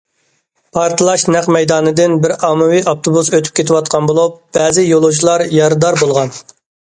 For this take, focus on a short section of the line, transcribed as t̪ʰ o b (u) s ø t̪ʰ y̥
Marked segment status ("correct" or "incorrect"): correct